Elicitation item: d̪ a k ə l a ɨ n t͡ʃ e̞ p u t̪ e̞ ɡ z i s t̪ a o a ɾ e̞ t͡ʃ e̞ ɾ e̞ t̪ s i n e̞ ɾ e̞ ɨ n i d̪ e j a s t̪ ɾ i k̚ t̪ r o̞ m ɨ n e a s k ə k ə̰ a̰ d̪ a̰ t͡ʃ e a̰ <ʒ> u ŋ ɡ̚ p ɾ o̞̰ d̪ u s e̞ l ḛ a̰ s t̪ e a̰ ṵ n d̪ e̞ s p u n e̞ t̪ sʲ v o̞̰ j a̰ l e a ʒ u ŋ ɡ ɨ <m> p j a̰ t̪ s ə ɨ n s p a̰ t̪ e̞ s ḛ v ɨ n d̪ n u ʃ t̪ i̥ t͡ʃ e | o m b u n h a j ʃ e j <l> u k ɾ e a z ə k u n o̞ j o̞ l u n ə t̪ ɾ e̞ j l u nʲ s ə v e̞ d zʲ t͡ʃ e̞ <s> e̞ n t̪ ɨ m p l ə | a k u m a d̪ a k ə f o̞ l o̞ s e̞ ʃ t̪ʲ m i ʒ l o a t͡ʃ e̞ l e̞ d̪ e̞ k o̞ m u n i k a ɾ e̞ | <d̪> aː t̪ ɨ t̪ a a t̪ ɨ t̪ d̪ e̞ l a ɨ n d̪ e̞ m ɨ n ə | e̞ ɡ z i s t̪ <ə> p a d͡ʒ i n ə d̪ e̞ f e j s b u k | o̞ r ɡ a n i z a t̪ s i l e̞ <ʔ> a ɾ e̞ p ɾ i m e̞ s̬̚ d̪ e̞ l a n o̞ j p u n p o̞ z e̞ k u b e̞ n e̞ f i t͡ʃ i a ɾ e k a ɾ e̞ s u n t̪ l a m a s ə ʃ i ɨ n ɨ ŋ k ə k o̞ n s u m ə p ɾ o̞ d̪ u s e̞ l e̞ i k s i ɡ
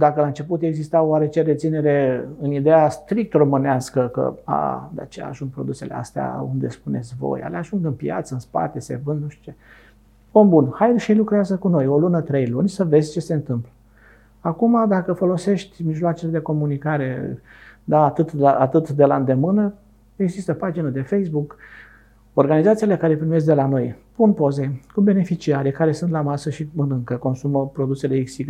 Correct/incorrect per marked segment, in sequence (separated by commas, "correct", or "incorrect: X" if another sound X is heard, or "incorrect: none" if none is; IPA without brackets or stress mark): correct, incorrect: n, correct, correct, correct, correct, incorrect: k